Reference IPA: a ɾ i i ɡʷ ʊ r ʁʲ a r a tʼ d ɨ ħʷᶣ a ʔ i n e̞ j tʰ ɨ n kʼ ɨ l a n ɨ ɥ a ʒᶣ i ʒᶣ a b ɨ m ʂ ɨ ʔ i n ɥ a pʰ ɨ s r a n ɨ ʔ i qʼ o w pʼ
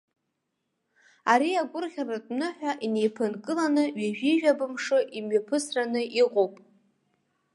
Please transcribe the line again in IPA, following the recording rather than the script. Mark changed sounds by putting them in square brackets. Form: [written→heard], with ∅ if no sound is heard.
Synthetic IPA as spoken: a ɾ i [i→a] ɡʷ ʊ r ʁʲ a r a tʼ [d→n] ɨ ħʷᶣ a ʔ i n e̞ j [tʰ→pʰ] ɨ n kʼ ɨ l a n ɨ ɥ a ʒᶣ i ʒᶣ a b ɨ m ʂ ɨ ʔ i [n→m] ɥ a pʰ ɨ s r a n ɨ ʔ i qʼ o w pʼ